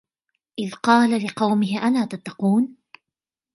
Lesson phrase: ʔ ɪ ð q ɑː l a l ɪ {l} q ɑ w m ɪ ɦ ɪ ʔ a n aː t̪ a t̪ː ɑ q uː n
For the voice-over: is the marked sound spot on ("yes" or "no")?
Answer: no